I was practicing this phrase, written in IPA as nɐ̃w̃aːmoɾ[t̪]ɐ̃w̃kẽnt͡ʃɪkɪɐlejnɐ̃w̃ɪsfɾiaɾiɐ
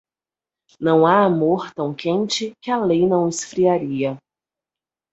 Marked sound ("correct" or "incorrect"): correct